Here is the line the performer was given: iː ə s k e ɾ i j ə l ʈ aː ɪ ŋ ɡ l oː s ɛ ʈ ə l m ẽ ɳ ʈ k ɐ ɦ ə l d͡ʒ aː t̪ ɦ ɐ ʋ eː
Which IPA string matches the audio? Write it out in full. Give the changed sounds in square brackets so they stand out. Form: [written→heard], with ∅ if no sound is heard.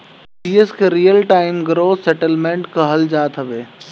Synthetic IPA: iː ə s k e ɾ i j ə l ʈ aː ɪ [ŋ→m] ɡ [l→ɾ] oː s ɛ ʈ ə l m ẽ ɳ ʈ k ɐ ɦ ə l d͡ʒ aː t̪ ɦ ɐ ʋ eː